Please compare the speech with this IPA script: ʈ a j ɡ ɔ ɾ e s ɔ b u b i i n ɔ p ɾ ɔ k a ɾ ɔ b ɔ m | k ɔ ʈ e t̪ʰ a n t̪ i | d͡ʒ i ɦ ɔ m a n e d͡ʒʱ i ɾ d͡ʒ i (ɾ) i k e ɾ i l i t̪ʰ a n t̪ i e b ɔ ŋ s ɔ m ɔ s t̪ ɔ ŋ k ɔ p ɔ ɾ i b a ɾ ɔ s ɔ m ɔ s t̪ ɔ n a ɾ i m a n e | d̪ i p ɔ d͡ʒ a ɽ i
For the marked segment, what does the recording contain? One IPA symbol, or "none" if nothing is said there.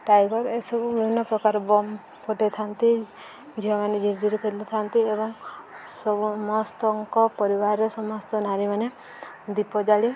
ɾ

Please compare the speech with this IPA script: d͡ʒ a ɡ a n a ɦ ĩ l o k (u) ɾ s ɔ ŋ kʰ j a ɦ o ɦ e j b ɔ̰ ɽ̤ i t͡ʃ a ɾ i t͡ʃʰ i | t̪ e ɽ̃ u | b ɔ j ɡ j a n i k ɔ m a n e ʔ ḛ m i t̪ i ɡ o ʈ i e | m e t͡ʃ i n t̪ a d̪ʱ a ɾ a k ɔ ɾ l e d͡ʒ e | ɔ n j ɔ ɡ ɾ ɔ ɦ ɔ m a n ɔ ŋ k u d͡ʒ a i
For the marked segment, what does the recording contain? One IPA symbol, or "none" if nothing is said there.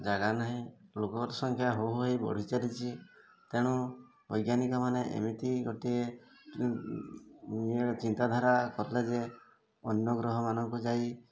ɔ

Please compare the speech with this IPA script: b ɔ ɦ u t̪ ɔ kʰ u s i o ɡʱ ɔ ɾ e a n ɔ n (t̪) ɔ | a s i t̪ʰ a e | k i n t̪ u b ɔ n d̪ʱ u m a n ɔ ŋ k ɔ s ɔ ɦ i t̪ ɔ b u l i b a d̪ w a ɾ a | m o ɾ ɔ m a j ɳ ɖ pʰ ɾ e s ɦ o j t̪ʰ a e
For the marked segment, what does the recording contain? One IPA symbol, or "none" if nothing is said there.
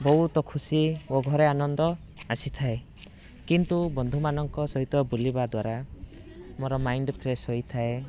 d̪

